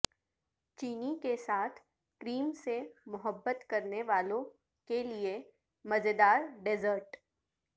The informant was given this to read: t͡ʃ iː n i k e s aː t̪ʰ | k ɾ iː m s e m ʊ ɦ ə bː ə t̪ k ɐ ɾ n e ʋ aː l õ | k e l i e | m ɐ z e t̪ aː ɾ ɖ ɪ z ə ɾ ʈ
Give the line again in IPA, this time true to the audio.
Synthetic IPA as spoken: t͡ʃ iː n i k e s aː t̪ʰ | k ɾ iː m s e m ʊ ɦ ə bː ə t̪ k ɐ ɾ n e ʋ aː l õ | k e l i e | m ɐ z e d̪ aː ɾ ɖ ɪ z ə ɾ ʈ